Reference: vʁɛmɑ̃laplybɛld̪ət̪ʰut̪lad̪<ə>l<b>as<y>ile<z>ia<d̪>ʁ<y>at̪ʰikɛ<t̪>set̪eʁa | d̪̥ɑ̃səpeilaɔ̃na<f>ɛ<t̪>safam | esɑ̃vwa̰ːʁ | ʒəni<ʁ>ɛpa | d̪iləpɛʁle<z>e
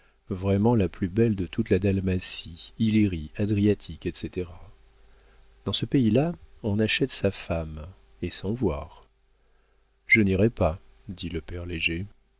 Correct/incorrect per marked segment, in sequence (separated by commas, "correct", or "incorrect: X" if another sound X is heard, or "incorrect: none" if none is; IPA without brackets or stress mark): incorrect: a, incorrect: m, incorrect: i, incorrect: ʁ, correct, incorrect: i, correct, incorrect: ʃ, correct, correct, incorrect: ʒ